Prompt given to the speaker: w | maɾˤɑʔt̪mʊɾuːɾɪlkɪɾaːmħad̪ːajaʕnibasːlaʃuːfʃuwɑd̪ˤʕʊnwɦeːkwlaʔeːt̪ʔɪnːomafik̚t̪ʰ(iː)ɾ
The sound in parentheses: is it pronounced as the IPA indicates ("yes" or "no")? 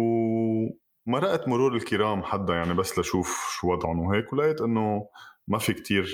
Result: yes